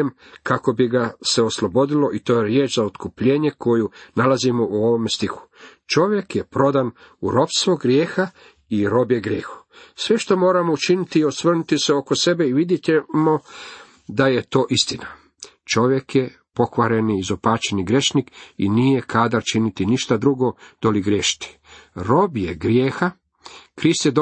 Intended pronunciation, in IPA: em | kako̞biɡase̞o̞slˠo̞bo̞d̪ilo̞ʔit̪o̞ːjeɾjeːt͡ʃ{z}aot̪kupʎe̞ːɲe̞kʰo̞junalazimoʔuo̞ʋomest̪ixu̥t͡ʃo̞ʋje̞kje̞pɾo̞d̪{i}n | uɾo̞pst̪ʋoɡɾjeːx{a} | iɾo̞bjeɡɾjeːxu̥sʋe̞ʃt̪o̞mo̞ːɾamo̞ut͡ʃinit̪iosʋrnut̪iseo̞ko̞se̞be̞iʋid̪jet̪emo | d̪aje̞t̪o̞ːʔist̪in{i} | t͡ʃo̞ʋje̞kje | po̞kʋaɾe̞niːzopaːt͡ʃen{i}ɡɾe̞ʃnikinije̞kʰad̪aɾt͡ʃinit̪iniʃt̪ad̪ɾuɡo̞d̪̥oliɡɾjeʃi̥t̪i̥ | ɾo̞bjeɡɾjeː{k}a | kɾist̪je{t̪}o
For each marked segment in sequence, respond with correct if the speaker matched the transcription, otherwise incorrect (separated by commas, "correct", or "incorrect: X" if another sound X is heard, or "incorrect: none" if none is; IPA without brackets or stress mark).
correct, incorrect: a, correct, incorrect: a, correct, incorrect: x, incorrect: d̪